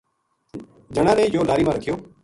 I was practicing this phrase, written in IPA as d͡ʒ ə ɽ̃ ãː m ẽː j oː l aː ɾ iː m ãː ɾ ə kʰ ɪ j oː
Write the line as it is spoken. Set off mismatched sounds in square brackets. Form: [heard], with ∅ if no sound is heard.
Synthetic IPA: d͡ʒ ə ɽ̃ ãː [n] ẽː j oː l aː ɾ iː m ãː ɾ ə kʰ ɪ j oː

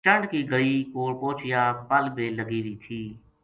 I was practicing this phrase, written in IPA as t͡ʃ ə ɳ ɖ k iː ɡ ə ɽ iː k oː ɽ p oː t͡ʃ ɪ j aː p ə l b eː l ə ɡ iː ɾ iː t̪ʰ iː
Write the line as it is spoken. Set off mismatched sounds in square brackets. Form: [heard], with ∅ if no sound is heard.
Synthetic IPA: t͡ʃ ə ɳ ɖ k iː ɡ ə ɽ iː k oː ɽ p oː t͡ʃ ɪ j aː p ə l b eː l ə ɡ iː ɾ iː t̪ʰ iː

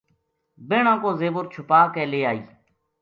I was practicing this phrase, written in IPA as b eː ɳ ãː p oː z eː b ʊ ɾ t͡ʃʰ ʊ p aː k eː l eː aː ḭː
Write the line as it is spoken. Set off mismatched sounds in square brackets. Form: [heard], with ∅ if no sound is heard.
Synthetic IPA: b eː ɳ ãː [k] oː z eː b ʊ ɾ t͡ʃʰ ʊ p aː k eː l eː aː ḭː

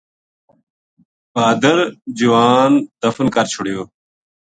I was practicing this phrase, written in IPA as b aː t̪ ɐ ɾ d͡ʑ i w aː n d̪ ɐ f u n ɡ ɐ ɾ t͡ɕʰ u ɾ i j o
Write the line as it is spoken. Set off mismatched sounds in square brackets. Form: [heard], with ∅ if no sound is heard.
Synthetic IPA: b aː [d̪] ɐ ɾ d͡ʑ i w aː n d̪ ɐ f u n [k] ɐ ɾ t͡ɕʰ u [ɽ] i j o

